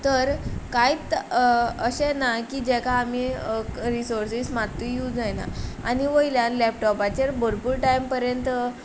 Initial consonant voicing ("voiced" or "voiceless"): voiceless